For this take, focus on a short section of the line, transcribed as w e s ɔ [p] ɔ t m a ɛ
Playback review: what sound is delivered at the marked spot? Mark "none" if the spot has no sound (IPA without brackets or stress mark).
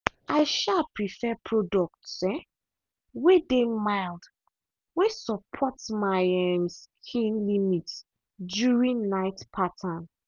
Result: pʰ